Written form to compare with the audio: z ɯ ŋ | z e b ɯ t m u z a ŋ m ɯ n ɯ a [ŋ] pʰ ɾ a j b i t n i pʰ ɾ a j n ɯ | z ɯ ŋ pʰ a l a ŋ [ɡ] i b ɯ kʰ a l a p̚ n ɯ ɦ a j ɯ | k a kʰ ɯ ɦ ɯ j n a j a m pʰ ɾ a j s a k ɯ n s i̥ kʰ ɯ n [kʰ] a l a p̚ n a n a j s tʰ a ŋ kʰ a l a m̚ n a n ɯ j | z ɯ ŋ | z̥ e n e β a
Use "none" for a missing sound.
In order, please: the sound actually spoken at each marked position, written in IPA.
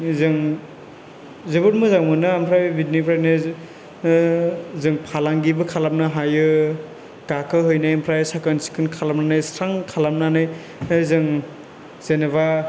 m, ɡ, kʰ

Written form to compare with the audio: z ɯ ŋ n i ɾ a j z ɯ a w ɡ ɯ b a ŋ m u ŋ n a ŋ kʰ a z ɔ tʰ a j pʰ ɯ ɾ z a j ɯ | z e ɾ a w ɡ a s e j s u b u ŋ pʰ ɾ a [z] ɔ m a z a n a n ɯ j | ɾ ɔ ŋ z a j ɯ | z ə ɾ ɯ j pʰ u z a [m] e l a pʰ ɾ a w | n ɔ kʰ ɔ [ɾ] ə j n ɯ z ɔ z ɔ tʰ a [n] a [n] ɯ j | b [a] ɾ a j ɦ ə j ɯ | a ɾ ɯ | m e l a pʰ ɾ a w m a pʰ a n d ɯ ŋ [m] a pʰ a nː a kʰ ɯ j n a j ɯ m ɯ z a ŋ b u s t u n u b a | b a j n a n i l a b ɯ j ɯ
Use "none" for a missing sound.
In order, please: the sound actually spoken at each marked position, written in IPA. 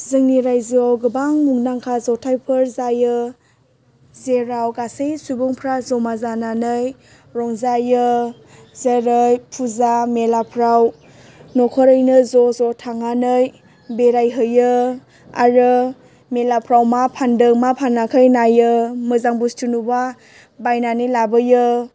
z, m, ɾ, ŋ, n, e, m

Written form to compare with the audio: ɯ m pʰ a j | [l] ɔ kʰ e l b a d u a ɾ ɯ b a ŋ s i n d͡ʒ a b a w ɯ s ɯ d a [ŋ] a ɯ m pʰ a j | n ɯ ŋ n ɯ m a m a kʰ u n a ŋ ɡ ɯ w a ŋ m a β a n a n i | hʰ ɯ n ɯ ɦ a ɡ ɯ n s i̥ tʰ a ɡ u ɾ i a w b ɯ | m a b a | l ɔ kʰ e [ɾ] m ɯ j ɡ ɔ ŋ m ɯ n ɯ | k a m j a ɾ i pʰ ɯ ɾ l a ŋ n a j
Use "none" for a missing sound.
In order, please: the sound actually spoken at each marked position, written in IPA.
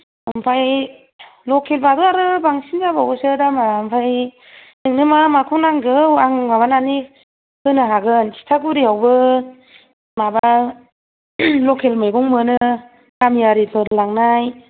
l, m, l

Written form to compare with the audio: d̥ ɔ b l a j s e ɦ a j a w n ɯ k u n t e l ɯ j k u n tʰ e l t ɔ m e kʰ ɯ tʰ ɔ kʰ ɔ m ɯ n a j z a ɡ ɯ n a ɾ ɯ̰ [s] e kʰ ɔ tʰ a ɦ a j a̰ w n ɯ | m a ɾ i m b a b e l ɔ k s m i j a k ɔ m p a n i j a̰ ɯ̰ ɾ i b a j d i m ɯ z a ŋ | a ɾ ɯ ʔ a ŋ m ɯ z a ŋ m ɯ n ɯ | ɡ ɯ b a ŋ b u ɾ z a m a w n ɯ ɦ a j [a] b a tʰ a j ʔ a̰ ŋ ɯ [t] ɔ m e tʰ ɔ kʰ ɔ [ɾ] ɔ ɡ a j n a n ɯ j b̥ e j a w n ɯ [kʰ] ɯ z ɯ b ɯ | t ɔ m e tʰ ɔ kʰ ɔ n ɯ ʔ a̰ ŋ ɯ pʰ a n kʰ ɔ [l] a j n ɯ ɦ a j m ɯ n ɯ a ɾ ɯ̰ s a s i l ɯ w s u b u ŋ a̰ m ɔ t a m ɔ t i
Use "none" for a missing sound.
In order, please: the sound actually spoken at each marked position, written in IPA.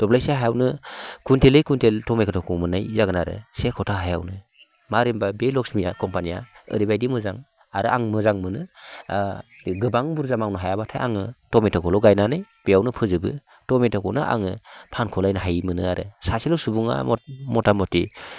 s, a, t, l, pʰ, l

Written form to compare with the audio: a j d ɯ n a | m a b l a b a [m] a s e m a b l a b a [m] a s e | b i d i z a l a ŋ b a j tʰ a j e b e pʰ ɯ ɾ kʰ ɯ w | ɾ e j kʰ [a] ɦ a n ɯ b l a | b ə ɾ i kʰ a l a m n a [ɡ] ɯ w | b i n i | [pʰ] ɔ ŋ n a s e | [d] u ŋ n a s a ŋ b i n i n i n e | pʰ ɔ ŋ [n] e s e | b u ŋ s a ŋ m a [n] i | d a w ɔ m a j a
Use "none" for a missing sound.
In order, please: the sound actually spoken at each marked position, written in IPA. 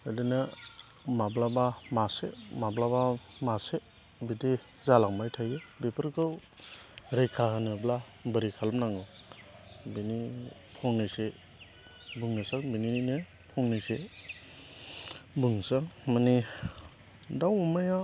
m, m, a, ŋ, pʰ, b, n, n

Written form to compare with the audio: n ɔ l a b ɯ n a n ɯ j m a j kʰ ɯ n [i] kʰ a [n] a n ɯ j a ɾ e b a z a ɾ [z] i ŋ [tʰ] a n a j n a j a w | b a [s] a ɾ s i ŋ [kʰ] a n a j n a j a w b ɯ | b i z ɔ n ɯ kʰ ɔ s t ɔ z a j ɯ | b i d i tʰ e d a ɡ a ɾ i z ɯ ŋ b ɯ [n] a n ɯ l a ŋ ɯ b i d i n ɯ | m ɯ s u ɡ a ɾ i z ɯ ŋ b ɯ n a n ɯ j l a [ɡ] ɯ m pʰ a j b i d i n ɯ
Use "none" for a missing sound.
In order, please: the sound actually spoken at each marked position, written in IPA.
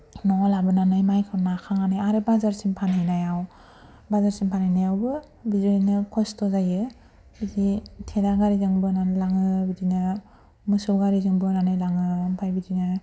a, ŋ, s, pʰ, z, pʰ, n, ŋ

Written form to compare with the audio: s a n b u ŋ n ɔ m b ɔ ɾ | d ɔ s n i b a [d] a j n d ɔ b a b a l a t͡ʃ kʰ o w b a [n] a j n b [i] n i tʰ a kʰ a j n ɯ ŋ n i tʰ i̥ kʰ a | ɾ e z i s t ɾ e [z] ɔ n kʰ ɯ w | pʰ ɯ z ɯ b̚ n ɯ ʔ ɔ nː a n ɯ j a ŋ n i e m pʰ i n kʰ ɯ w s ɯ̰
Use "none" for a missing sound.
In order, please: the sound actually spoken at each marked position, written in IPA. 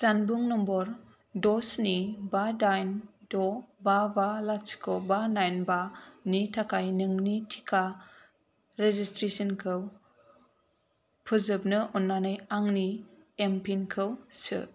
d, n, a, s

